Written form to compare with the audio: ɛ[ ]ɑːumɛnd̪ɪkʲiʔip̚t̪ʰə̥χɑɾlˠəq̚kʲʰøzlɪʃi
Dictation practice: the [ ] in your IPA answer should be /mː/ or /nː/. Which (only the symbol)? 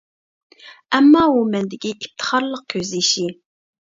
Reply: mː